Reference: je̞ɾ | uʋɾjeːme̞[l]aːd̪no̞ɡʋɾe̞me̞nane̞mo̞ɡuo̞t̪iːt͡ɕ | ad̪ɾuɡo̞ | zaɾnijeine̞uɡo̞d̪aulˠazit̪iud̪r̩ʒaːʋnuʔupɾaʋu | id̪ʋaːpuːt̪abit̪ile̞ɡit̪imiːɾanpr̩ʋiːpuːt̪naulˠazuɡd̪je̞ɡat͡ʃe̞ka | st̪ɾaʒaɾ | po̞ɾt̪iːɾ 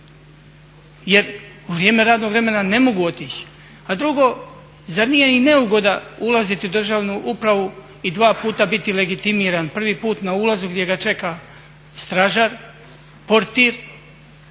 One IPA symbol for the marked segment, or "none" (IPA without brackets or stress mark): ɾ